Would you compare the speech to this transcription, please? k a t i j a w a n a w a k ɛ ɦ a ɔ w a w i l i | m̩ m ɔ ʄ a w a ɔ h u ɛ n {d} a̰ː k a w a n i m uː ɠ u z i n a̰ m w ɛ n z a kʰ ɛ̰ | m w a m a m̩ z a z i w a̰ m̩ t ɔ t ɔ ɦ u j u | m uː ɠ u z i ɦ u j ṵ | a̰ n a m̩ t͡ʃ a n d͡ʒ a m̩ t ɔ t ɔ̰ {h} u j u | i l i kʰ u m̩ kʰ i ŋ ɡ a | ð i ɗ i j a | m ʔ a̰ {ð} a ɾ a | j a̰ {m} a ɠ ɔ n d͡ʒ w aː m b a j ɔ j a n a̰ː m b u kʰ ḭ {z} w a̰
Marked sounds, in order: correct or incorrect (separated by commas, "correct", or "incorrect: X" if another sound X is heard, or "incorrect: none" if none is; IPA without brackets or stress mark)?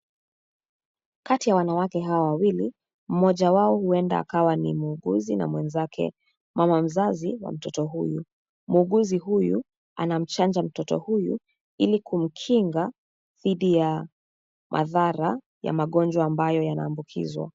correct, correct, correct, correct, correct